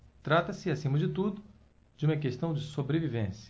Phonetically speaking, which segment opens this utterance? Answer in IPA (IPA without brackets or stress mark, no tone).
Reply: t̪